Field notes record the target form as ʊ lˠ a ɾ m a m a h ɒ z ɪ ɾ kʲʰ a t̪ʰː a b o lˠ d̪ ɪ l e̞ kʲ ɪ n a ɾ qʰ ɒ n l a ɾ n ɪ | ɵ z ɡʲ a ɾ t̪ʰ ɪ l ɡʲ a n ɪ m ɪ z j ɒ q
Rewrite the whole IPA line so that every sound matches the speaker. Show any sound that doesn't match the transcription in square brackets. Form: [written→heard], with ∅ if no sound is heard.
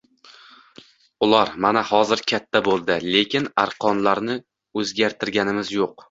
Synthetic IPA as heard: ʊ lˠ a ɾ m a [m→n] a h ɒ z ɪ ɾ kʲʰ a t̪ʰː a b o lˠ d̪ ɪ l e̞ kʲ ɪ n a ɾ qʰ ɒ n l a ɾ n ɪ | ɵ z ɡʲ a ɾ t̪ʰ ɪ [l→ɾ] ɡʲ a n ɪ m ɪ z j [ɒ→o] q